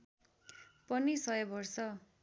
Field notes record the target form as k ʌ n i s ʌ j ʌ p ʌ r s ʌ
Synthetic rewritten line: p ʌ n i s ʌ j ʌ b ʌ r s ʌ